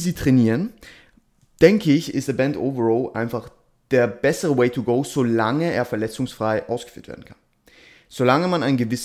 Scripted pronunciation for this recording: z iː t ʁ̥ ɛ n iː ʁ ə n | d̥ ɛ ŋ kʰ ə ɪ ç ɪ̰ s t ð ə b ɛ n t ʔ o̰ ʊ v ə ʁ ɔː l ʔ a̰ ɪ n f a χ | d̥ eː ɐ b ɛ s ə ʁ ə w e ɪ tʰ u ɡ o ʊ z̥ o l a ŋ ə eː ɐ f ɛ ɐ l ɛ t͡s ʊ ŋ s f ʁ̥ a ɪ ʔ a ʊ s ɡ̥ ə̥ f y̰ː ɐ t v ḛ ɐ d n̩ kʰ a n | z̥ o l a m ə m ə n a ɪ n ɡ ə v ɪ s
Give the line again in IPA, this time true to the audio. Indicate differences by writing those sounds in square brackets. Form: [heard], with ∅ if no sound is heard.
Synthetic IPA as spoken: z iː t ʁ̥ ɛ n iː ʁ ə n | d̥ ɛ ŋ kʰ ə ɪ ç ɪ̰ s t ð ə b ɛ n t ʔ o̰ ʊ v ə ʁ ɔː l ʔ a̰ ɪ n f a χ | d̥ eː ɐ b ɛ s ə ʁ ə w e ɪ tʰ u ɡ o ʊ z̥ o l a ŋ ə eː ɐ f ɛ ɐ l ɛ t͡s ʊ ŋ s f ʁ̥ a ɪ ʔ a ʊ s ɡ̥ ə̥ f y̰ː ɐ t v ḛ ɐ d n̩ kʰ a n | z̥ o l a [ŋ] ə m [a] n a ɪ n ɡ ə v ɪ s